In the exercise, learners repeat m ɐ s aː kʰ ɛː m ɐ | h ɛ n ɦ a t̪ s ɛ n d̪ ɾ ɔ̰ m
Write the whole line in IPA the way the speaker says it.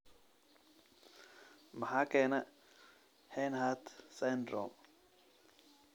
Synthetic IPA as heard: m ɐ ħ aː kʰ ɛː n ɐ | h ɛ n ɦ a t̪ s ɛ n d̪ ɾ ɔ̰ m